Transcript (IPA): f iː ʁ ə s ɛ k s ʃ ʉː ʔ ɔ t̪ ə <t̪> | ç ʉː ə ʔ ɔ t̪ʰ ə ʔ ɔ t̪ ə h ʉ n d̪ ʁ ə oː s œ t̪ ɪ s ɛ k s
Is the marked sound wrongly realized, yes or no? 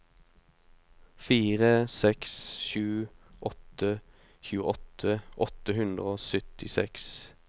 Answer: yes